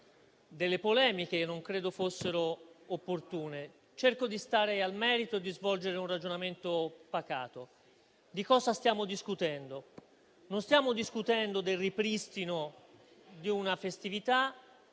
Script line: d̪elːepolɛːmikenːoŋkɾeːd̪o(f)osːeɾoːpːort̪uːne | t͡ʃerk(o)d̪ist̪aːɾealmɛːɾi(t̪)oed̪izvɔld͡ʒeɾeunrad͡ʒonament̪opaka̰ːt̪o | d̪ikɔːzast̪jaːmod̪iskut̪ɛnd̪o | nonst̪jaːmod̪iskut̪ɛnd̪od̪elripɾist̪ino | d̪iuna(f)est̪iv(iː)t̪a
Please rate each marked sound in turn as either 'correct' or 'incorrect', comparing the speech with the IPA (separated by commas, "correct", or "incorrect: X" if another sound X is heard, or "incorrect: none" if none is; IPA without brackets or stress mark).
correct, correct, correct, correct, incorrect: i